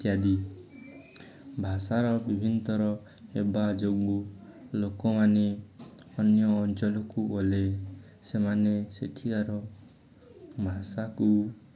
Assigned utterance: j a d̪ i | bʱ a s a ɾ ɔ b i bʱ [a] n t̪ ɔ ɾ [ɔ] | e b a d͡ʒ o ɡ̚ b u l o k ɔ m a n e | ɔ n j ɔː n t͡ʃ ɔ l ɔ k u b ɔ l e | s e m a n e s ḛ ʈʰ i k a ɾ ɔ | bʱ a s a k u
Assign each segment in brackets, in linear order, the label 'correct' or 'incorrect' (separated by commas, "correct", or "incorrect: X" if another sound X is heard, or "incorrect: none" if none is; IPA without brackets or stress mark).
incorrect: i, correct